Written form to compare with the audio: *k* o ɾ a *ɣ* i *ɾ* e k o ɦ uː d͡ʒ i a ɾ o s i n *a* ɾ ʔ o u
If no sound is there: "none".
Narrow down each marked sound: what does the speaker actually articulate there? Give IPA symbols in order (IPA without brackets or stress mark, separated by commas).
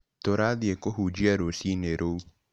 t, ð, none, e